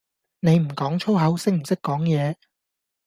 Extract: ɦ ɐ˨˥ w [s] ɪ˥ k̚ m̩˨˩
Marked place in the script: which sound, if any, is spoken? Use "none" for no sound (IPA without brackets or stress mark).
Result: s